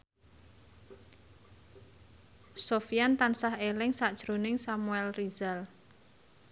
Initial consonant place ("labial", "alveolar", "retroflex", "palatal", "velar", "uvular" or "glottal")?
alveolar